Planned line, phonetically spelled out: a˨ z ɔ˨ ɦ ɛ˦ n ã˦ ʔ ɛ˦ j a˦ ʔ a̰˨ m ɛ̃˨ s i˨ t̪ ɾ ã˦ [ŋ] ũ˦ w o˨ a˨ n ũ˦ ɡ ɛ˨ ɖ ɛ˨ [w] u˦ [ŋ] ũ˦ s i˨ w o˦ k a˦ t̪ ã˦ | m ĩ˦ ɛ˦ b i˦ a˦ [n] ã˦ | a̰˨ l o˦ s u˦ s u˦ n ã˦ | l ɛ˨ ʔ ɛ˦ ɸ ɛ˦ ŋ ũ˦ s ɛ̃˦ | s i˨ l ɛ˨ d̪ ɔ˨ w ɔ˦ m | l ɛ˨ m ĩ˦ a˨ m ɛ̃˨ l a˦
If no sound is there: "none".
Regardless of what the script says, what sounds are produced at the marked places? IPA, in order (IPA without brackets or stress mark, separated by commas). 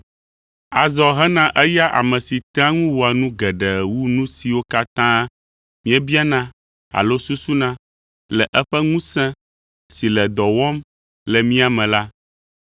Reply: ŋ, w, n, n